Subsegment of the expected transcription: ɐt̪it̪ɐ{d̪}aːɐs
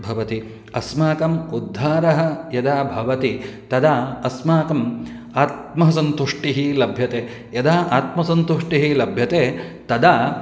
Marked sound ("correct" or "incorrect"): correct